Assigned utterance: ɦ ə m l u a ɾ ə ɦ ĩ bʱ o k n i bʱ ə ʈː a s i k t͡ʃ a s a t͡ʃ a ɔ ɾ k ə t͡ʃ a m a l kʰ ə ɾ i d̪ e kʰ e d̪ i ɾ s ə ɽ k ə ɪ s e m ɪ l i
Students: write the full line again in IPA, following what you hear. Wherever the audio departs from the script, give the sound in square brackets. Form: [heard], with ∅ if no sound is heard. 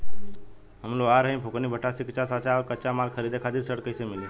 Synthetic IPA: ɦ ə m l [o] a ɾ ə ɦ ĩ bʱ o k n i bʱ ə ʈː a s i k t͡ʃ a s a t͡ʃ a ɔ ɾ k ə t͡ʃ a m a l kʰ ə ɾ i d̪ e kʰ [a] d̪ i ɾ s ə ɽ k ə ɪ s e m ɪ l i